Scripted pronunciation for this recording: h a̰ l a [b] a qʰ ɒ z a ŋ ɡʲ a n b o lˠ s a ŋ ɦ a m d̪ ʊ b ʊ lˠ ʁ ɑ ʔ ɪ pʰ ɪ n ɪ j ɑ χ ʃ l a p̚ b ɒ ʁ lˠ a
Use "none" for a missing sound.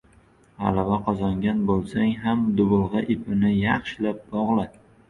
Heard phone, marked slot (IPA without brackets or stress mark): v